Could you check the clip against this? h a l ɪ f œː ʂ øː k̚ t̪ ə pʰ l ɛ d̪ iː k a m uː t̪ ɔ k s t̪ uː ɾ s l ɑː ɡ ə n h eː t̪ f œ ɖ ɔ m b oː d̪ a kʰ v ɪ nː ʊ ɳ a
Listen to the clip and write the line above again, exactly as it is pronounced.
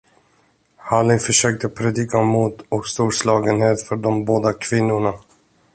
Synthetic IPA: h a l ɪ f œ ʂ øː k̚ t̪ ə pʰ ɾ ɛ d̪ iː k a m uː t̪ ɔ k s t̪ uː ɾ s l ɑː ɡ ə n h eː t̪ f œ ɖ ɔ m b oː d̪ a kʰ v ɪ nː ʊ ɳ a